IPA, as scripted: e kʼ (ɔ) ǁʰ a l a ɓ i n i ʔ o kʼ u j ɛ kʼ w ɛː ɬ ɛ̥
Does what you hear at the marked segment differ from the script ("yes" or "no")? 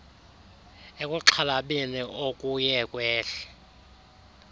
yes